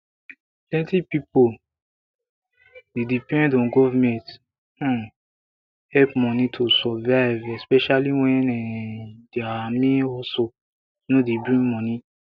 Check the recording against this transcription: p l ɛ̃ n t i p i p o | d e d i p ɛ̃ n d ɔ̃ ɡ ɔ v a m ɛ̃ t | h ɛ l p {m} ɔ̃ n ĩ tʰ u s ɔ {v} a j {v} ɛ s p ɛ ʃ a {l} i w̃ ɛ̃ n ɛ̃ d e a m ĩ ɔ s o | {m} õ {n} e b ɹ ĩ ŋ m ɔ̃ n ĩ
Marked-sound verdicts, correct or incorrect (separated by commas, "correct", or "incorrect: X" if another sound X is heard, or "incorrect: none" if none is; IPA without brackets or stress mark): correct, correct, correct, correct, incorrect: n, incorrect: d